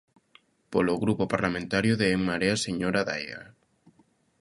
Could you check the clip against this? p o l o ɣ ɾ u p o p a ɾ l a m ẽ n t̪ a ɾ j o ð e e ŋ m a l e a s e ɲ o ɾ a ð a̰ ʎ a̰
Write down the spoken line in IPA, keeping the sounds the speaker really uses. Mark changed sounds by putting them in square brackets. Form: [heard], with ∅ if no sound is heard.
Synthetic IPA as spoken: p o l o ɣ ɾ u p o p a ɾ l a m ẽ n t̪ a ɾ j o ð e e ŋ m a [ɾ] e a s e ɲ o ɾ a ð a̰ [j] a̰